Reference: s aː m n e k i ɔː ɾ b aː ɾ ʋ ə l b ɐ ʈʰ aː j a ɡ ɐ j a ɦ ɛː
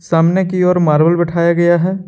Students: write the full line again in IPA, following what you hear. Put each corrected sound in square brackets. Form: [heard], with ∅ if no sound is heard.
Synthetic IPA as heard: s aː m n e k i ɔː ɾ [m] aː ɾ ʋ ə l b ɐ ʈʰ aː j a ɡ ɐ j a ɦ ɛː